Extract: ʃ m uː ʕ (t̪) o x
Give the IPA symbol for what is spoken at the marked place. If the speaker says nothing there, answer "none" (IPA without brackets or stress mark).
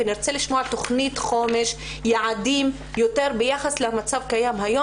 t̪